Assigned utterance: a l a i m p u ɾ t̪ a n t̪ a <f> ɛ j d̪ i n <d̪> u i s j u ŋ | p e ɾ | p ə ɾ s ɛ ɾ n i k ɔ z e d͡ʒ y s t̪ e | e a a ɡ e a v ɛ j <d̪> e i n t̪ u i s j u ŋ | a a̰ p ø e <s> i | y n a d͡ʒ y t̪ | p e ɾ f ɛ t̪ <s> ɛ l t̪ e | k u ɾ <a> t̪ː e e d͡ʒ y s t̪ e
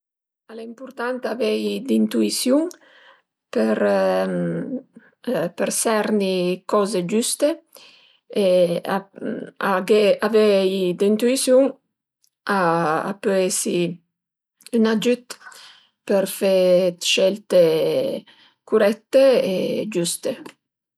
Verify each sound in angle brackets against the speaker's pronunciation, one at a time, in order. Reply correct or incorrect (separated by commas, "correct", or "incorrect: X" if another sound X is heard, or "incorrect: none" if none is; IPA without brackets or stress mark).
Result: incorrect: v, incorrect: t̪, correct, correct, incorrect: ʃ, incorrect: ɛ